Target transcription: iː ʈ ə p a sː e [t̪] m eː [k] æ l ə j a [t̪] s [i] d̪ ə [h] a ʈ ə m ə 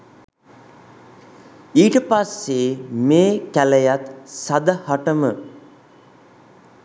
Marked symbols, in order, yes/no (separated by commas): no, yes, yes, no, yes